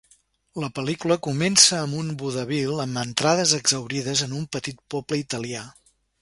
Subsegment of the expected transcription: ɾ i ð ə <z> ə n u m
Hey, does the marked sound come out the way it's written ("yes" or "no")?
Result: yes